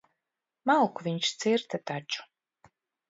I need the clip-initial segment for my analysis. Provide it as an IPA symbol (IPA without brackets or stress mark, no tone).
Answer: m